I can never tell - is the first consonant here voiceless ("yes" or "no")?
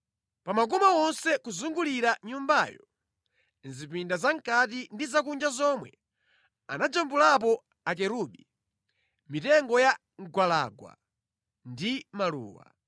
yes